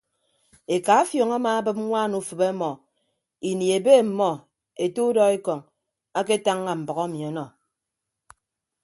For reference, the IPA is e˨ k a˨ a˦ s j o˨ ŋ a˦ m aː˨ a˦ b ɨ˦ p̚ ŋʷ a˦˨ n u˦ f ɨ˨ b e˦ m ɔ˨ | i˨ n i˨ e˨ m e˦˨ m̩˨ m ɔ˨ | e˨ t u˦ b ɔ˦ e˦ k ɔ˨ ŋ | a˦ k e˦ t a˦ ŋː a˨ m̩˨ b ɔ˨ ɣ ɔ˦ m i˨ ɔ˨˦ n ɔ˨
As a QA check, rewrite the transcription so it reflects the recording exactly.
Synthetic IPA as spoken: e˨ k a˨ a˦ f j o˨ ŋ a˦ m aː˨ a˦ b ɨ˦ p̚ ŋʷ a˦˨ n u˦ f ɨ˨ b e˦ m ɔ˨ | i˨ n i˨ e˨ b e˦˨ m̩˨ m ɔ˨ | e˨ t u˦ d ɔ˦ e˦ k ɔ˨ ŋ | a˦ k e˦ t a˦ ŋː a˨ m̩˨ b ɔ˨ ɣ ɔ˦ m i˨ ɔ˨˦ n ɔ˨